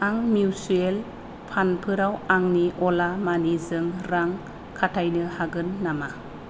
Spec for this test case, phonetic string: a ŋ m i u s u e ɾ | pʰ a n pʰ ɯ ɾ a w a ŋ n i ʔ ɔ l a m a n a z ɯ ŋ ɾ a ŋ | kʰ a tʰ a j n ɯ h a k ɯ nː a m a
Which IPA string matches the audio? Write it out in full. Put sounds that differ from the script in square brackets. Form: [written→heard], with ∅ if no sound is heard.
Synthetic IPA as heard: a ŋ m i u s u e [ɾ→l] | pʰ a n pʰ ɯ ɾ a w a ŋ n i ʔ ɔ l a m a n [a→i] z ɯ ŋ ɾ a ŋ | kʰ a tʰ a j n ɯ h a [k→ɡ] ɯ nː a m a

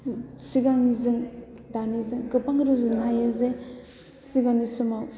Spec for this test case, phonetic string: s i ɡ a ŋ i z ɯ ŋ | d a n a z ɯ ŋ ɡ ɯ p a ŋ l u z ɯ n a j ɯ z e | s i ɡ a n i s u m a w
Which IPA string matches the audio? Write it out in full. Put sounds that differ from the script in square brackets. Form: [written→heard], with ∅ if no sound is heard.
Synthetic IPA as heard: s i ɡ a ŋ i z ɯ ŋ | d a n [a→i] z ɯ ŋ ɡ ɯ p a ŋ [l→ɾ] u z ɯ n a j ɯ z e | s i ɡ a n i s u m a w

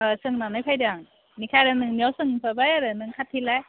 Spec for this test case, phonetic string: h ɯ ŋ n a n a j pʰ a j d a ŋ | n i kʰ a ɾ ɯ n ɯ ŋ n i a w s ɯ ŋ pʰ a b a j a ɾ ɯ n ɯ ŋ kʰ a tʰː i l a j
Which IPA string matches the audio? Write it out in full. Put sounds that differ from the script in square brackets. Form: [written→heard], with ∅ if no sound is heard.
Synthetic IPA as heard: [h→s] ɯ ŋ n a n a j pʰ a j d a ŋ | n i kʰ a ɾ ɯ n ɯ ŋ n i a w s ɯ ŋ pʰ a b a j a ɾ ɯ n ɯ ŋ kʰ a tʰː i l a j

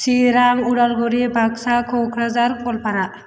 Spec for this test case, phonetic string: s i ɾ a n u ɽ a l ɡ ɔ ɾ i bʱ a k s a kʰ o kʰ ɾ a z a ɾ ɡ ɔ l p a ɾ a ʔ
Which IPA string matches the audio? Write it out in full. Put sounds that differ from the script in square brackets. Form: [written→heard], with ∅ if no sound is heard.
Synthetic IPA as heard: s i ɾ a [n→ŋ] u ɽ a l ɡ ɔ ɾ i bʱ a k s a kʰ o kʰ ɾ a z a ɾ [ɡ→k] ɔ l p a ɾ a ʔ

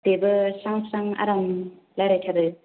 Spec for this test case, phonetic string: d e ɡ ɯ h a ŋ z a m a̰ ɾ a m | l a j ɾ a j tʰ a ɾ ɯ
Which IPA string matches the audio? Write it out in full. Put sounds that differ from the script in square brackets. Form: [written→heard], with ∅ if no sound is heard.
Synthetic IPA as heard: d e [ɡ→b] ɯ [h→s] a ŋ [z→s] a [m→ŋ] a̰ ɾ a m | l a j ɾ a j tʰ a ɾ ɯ

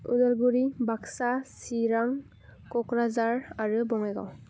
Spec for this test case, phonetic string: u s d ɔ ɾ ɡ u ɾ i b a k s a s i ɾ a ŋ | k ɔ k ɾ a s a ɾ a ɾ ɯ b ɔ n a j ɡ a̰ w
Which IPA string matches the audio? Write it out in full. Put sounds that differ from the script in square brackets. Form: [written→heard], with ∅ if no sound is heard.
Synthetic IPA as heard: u [s→∅] d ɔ [ɾ→l] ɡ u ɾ i b a k s a s i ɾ a ŋ | k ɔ k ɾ a [s→z] a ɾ a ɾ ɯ b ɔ [n→ŋ] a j ɡ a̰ w

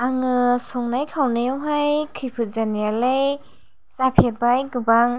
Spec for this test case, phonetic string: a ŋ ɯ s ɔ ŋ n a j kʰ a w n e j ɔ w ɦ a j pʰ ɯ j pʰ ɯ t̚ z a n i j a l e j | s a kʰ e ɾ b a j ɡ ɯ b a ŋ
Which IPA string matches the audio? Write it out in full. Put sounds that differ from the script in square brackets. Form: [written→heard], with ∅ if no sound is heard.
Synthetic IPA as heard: a ŋ ɯ s ɔ ŋ n a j kʰ a w n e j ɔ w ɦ a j [pʰ→kʰ] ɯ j pʰ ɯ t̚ z a n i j a l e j | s a [kʰ→pʰ] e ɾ b a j ɡ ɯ b a ŋ

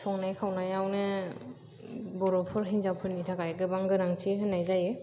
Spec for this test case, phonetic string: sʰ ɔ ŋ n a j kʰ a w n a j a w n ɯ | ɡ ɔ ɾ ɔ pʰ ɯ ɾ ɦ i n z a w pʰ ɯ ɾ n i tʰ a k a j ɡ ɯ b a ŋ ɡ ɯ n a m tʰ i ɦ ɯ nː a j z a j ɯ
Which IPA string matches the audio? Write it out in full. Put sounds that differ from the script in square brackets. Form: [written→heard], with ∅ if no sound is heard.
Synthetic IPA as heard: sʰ ɔ ŋ n a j kʰ a w n a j a w n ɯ | [ɡ→b] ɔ ɾ ɔ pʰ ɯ ɾ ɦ i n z a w pʰ ɯ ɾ n i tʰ a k a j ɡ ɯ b a ŋ ɡ ɯ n a [m→ŋ] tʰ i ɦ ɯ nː a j z a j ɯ

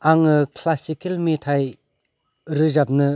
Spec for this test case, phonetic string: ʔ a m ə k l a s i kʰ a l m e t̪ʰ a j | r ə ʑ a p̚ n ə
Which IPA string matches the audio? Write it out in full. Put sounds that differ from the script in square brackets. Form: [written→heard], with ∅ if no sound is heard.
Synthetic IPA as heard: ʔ a [m→ŋ] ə [k→kʰ] l a s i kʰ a l m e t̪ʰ a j | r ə ʑ a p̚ n ə

